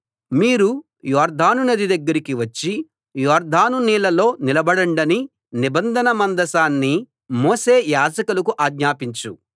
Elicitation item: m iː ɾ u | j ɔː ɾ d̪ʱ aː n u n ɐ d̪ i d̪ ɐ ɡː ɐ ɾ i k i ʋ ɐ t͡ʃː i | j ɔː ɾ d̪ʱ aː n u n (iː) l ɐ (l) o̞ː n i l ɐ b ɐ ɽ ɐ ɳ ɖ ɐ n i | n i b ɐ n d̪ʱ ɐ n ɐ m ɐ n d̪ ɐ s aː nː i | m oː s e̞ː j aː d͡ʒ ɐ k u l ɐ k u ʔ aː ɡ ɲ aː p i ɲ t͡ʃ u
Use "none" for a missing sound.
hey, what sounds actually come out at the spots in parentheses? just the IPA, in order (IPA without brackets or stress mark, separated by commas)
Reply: iː, l